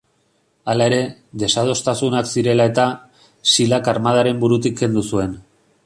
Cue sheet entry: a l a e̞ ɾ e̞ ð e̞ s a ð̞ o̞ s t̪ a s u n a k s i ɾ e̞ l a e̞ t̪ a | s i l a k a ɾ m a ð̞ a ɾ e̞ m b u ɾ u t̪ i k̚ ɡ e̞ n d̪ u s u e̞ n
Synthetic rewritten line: a l a e̞ ɾ e̞ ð e̞ s a ð̞ o̞ s t̪ a s u n a k s i ɾ e̞ l a e̞ t̪ a | s i l a k a ɾ m a ð̞ a ɾ e̞ m b u ɾ u t̪ i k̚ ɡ e̞ n d̪ u s u e̞ n